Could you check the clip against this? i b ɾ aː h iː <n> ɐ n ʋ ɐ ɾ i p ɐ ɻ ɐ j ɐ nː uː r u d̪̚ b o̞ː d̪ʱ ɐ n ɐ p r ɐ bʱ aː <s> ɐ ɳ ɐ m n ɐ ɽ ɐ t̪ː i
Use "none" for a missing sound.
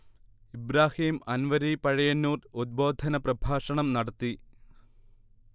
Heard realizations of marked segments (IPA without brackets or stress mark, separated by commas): m, ʂ